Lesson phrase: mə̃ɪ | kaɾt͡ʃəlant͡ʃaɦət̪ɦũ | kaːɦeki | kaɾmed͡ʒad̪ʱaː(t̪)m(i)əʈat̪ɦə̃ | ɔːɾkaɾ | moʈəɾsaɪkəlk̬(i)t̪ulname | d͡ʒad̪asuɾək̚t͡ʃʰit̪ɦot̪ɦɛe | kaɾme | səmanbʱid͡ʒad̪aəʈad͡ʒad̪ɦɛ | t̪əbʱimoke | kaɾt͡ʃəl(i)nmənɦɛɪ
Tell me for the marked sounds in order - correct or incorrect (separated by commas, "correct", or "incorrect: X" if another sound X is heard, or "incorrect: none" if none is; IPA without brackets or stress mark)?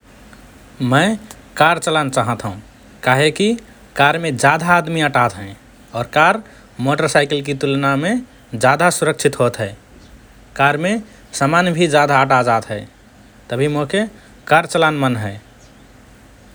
incorrect: d̪, correct, correct, incorrect: a